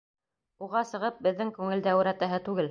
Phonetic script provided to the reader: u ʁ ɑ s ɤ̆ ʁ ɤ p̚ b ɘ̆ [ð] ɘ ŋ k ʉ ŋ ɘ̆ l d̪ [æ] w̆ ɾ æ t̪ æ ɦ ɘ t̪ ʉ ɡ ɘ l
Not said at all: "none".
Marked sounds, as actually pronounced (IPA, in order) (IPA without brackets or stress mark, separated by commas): ðː, æ